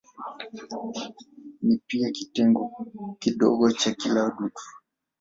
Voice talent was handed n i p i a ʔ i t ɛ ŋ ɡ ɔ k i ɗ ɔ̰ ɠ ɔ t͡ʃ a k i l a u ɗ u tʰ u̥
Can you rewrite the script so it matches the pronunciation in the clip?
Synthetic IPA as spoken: n i p i a k i t ɛ ŋ ɡ ɔ k i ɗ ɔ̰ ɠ ɔ t͡ʃ a k i l a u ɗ u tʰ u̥